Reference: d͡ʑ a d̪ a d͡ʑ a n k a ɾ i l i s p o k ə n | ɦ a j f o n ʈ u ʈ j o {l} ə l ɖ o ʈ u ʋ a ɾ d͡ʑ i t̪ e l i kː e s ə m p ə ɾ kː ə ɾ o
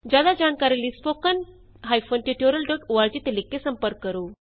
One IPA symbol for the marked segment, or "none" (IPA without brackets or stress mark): ɾ